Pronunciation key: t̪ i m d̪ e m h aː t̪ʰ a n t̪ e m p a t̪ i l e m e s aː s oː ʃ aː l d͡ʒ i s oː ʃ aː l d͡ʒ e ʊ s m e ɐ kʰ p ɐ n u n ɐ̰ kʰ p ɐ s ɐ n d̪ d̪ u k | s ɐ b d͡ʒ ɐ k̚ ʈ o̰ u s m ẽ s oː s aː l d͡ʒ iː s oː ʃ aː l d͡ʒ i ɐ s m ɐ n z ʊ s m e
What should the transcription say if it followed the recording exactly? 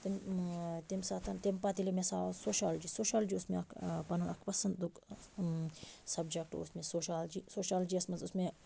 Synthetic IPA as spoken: t̪ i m t̪ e m s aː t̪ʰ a n t̪ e m p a t̪ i l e m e s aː s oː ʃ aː l d͡ʒ i s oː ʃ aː l d͡ʒ i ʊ s m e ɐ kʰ p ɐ n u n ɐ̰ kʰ p ɐ s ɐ n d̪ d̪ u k | s ɐ b d͡ʒ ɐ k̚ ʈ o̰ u s m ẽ s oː ʃ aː l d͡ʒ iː s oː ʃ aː l d͡ʒ i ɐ s m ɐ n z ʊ s m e